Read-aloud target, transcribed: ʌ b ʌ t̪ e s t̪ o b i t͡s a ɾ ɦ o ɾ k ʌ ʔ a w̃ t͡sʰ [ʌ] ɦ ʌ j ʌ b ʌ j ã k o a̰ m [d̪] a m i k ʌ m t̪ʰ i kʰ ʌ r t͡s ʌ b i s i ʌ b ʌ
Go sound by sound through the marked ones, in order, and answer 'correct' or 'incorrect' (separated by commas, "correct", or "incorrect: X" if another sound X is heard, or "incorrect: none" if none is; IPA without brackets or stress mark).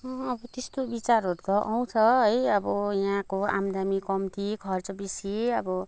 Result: correct, correct